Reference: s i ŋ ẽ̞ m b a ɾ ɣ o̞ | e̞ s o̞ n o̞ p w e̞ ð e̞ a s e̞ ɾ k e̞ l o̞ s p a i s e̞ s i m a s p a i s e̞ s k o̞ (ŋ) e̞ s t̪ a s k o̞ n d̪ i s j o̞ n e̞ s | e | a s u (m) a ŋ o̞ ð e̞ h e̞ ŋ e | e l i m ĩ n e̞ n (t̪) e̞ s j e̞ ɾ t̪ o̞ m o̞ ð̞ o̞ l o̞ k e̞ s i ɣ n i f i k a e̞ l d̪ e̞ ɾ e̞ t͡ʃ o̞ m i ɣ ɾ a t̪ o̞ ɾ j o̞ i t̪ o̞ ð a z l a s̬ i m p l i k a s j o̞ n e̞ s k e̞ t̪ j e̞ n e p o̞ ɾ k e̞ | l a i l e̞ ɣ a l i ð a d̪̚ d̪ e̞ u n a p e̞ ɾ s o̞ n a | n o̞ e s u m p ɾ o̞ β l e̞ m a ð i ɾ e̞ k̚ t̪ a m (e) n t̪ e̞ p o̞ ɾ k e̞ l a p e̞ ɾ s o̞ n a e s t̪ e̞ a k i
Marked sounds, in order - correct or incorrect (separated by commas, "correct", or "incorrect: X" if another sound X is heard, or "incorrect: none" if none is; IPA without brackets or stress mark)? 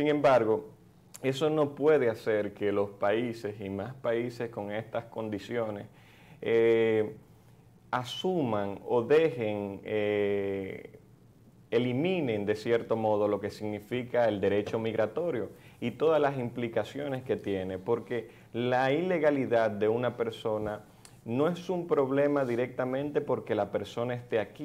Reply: correct, correct, incorrect: d̪, incorrect: ẽ